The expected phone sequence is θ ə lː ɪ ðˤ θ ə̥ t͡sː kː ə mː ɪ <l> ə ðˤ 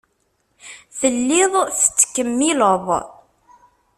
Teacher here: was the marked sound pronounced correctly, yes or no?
yes